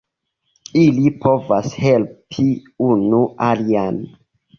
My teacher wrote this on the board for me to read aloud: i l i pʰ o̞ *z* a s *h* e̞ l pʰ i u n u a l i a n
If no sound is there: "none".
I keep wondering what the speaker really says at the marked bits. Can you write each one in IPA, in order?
v, h

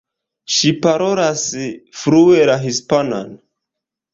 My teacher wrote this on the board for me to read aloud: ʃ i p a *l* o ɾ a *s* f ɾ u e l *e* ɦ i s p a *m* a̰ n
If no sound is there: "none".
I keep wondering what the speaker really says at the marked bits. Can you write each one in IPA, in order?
ɾ, s, a, n

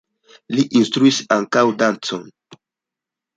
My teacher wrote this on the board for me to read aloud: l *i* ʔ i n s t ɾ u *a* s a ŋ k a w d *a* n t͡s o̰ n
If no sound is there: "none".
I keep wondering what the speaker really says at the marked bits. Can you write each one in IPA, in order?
i, i, a

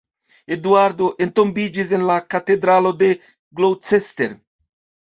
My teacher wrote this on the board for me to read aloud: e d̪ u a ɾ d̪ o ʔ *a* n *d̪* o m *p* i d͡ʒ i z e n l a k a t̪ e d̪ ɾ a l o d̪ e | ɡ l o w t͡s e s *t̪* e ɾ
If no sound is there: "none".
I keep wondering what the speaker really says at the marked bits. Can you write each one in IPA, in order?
e, t̪, b, t̪

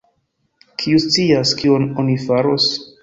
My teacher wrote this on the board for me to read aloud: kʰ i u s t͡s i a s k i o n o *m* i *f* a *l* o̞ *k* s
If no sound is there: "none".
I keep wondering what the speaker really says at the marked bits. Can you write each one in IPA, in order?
n, f, ɾ, none

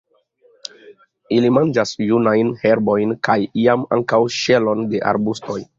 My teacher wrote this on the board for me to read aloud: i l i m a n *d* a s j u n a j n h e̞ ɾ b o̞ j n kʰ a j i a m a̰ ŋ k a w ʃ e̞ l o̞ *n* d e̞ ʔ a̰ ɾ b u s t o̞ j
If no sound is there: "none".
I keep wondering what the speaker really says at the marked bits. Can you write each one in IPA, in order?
d͡ʒ, n

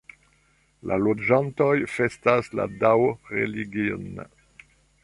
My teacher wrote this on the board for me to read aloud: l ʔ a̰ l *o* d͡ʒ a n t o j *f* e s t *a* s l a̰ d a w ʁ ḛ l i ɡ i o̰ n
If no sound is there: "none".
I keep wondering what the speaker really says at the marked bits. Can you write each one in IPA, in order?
o, f, a

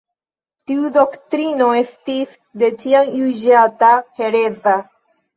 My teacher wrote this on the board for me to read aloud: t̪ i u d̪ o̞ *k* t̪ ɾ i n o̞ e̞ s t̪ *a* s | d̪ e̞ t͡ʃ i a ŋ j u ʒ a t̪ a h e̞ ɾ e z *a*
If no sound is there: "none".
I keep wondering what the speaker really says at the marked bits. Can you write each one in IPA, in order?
k, i, a

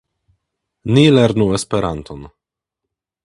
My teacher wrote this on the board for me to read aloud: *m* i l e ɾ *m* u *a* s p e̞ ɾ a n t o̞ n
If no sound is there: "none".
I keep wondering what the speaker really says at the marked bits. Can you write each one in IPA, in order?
n, n, e

